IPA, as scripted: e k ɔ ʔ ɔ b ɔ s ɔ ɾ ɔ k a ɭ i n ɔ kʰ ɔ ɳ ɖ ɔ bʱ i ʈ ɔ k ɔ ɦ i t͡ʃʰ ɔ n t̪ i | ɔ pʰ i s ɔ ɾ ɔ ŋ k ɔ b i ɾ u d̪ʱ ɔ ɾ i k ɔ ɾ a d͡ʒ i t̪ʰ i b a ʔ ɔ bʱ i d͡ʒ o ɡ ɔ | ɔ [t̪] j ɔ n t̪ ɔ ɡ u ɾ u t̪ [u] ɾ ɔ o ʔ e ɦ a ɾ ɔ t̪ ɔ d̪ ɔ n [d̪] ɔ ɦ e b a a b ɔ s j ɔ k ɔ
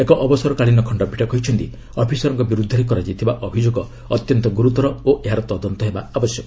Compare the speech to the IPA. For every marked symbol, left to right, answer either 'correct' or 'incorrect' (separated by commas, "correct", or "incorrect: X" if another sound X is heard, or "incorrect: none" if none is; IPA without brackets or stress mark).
correct, incorrect: ɔ, incorrect: t̪